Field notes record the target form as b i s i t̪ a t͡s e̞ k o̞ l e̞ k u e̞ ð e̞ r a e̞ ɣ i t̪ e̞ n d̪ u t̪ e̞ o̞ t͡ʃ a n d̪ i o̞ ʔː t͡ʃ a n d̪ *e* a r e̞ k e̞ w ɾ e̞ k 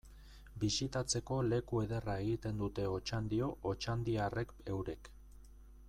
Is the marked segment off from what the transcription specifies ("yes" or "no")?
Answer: yes